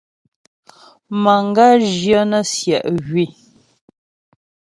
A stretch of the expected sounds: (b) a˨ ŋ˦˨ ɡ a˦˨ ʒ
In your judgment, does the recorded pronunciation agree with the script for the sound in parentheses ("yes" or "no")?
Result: no